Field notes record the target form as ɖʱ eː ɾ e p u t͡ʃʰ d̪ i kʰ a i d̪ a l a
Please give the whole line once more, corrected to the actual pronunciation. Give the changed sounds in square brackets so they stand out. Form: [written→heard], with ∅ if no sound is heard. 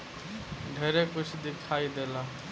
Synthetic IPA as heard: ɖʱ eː ɾ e [p→k] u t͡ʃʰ d̪ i kʰ a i d̪ [a→e] l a